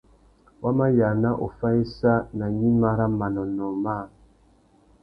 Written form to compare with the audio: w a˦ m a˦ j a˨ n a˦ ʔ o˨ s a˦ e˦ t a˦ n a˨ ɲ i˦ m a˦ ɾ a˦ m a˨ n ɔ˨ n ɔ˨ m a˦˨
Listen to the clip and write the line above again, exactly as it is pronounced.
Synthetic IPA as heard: w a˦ m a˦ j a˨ n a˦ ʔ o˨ f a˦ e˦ s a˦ n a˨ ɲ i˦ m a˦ ɾ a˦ m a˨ n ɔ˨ n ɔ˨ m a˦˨